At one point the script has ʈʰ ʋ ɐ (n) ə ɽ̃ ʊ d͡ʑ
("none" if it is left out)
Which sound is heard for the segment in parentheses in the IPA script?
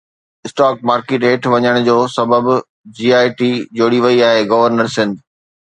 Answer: ɲ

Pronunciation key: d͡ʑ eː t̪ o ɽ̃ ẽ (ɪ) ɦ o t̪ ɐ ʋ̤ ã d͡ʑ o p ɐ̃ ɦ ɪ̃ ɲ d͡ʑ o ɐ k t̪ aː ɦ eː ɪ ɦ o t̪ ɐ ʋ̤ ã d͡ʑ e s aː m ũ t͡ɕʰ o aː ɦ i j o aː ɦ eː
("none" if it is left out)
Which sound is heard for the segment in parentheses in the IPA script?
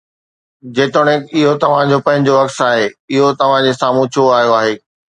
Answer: ɪ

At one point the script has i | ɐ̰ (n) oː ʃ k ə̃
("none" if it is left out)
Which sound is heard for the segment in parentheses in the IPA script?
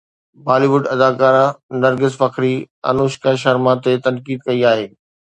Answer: n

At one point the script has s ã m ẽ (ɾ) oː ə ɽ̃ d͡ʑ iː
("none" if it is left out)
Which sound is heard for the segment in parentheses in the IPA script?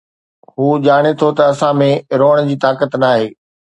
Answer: ɾ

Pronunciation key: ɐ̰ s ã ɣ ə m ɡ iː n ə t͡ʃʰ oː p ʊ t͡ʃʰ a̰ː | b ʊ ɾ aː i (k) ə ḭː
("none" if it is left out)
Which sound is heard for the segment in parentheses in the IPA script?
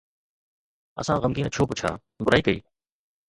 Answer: k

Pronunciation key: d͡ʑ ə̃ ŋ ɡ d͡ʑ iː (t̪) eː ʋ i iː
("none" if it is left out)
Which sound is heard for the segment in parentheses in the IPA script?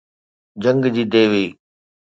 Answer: d̪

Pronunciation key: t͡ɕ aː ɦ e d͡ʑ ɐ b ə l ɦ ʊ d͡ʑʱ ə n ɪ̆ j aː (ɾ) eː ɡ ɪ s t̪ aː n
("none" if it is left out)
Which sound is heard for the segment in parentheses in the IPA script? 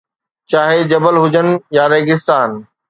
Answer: ɾ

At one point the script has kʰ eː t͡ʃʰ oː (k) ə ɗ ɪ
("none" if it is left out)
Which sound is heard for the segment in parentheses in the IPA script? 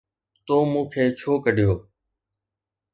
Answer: k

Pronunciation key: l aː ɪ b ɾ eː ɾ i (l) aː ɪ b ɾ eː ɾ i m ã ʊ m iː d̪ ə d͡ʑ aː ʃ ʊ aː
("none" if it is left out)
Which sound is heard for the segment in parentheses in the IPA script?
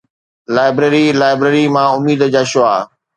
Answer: l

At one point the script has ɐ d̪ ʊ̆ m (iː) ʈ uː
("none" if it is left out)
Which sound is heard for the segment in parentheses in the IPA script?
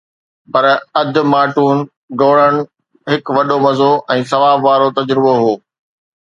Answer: aː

